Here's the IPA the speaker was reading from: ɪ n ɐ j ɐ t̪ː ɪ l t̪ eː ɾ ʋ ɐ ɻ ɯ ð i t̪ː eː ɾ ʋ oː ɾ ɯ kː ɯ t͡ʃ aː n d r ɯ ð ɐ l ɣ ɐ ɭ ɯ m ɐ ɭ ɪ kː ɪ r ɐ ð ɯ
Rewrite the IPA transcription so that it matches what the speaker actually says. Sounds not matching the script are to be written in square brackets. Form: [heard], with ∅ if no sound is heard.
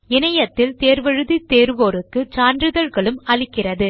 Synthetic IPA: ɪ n ɐ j ɐ t̪ː ɪ l t̪ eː ɾ ʋ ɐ ɻ ɯ ð i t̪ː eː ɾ ʋ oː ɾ ɯ kː ɯ t͡ʃ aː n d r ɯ ð ɐ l ɣ ɐ ɭ ɯ m ɐ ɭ ɪ kː ɪ r ɐ ð ɯ